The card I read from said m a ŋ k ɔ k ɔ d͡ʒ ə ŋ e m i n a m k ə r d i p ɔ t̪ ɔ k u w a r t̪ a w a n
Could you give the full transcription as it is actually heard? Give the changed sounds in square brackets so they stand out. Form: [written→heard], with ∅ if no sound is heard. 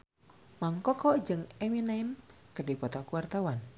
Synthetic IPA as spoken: m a ŋ k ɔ k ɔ d͡ʒ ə ŋ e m i n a m k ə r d i p ɔ t̪ ɔ k u w a r t̪ a w a n